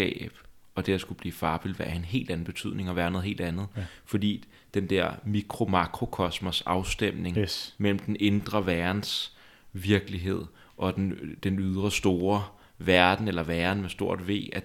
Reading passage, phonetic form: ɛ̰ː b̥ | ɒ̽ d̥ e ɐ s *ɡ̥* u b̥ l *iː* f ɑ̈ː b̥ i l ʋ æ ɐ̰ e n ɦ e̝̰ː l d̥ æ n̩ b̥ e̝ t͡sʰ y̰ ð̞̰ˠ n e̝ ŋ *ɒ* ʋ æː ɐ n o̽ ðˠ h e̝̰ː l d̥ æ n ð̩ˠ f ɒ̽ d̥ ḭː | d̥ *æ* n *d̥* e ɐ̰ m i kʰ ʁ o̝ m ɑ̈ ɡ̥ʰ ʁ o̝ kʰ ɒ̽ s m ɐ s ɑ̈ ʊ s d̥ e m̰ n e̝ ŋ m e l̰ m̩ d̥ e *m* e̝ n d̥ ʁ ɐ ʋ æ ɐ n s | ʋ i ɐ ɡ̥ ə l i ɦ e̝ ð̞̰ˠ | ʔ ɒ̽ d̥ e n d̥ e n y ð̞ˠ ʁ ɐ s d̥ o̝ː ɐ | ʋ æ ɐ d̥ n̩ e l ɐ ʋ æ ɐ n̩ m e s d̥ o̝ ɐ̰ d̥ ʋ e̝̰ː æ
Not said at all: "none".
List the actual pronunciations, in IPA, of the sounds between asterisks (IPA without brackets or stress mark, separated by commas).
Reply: ɡ̥, iː, ɒ, e, d̥, n